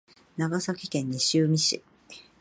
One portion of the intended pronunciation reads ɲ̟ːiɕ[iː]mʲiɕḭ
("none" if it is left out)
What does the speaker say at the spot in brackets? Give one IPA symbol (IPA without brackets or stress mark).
ɨː